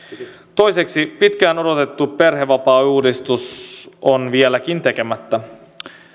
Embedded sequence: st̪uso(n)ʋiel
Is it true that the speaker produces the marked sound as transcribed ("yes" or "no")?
yes